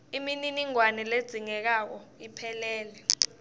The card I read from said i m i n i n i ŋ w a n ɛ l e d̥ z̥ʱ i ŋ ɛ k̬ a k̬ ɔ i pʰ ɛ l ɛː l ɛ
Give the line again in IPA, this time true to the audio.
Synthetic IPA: i m i n i n i ŋ w a n ɛ l e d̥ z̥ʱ i ŋ ɛ k̬ a k̬ ɔ i pʰ ɛ l ɛː l ɛ